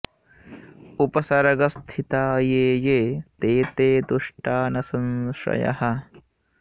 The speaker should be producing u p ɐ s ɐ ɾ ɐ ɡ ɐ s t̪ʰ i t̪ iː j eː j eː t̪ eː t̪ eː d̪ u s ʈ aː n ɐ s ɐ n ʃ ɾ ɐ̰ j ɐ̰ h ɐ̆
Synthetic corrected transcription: u p ɐ s ɐ ɾ ɐ ɡ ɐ s t̪ʰ i t̪ aː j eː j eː t̪ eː t̪ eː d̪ u ʂ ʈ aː n ɐ s ɐ n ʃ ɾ ɐ̰ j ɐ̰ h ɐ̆